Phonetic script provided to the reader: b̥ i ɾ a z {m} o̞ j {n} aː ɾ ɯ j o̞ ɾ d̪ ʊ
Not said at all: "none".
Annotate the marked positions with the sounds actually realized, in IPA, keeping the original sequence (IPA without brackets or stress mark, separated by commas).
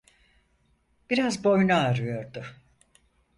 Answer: b, n